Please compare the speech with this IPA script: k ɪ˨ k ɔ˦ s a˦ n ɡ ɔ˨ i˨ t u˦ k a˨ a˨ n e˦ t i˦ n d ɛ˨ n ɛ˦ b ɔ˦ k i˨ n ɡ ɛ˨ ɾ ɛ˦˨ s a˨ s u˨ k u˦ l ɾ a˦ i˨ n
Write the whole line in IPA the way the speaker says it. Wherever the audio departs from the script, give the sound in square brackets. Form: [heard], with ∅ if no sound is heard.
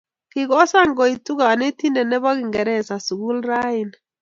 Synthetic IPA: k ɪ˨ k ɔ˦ s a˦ [ŋ] ɡ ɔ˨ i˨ t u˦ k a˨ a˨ n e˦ t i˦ n d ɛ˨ n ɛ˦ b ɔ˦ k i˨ [ŋ] ɡ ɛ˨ ɾ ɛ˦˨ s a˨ s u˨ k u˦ l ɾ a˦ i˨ n